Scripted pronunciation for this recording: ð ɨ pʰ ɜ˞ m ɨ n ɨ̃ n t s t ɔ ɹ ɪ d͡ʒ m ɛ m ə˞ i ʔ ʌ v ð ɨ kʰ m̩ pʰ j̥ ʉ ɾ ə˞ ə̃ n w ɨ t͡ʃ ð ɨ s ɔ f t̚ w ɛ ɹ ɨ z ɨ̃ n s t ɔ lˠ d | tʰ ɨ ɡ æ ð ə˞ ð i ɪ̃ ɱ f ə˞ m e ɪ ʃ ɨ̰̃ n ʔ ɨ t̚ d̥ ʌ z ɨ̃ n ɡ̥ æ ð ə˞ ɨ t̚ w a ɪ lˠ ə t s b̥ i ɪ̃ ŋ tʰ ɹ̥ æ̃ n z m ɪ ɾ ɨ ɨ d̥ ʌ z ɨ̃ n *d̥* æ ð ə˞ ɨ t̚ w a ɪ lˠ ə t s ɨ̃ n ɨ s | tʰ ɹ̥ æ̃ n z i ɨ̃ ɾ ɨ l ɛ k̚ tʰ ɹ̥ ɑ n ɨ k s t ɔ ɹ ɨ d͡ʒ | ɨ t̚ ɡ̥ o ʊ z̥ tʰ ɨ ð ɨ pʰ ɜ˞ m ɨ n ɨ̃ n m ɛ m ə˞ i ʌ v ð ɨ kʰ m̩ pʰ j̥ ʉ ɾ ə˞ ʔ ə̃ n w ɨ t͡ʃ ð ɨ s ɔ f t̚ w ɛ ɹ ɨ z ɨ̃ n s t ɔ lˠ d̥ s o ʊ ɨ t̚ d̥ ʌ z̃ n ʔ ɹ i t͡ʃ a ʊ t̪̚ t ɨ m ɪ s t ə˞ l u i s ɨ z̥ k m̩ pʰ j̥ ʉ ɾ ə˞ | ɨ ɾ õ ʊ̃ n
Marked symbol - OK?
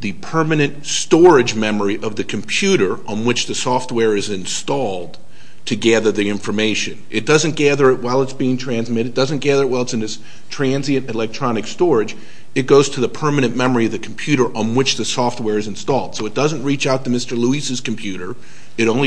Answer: no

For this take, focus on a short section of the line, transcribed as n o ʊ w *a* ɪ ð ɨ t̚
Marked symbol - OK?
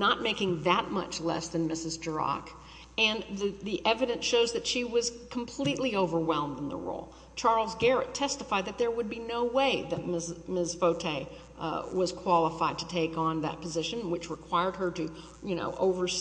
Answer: no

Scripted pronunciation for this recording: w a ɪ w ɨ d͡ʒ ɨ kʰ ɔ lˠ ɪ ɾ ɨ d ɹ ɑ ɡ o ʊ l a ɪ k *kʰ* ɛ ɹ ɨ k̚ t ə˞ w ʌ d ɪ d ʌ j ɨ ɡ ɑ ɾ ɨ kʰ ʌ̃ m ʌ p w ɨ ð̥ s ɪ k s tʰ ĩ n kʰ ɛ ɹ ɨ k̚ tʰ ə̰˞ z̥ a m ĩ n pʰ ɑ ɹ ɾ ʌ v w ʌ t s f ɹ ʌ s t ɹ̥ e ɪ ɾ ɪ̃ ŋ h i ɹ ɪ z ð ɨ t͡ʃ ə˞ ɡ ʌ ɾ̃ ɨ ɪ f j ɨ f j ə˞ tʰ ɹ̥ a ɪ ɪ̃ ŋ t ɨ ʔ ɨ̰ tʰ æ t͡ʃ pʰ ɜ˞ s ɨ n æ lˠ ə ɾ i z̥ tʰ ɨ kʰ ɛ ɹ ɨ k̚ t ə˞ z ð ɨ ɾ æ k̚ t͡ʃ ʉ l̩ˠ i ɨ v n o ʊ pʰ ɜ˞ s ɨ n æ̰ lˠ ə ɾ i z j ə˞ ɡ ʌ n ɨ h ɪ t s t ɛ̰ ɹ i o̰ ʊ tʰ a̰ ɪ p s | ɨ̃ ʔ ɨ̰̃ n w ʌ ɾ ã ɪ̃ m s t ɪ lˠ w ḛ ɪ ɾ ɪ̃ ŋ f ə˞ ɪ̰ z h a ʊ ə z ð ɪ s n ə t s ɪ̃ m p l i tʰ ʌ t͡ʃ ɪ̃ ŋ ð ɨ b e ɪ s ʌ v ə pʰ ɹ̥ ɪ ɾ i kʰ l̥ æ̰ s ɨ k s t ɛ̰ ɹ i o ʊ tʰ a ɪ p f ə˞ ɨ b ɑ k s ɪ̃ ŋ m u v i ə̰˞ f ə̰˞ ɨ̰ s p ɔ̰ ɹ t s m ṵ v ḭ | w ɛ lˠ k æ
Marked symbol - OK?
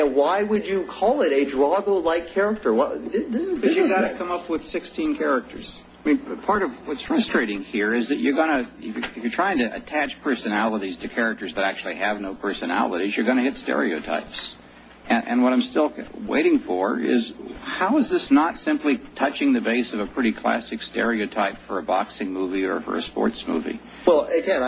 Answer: yes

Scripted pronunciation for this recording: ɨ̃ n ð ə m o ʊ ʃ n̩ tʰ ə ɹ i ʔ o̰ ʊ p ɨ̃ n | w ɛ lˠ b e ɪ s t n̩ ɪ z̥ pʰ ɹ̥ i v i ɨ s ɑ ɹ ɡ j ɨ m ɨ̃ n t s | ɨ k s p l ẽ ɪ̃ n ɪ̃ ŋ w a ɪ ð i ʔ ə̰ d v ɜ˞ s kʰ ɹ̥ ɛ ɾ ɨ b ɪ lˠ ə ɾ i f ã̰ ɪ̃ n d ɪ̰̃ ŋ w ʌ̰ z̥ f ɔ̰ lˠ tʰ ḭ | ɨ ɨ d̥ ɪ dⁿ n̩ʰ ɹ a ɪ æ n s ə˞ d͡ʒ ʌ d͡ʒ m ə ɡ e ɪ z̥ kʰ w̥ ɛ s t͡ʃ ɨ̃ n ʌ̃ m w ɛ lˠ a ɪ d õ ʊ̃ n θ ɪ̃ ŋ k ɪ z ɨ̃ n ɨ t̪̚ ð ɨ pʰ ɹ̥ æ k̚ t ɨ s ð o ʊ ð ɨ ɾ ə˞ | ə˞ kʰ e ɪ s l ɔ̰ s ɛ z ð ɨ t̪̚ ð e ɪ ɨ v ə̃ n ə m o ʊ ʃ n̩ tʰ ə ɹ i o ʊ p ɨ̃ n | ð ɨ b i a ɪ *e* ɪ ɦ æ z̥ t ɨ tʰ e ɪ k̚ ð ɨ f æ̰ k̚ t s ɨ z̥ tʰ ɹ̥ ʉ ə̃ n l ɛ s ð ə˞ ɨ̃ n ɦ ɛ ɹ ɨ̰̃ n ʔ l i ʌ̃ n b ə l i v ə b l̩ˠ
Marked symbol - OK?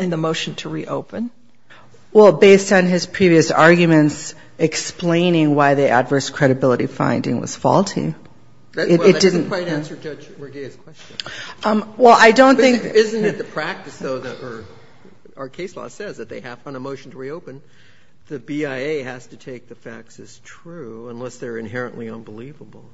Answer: yes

